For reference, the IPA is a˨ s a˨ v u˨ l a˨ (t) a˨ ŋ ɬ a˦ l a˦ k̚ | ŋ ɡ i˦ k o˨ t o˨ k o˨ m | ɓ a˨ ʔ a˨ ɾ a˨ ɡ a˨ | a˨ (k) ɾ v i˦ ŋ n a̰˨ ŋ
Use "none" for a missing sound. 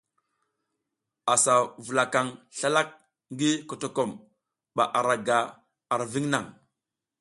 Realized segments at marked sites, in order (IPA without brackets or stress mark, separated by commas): k, none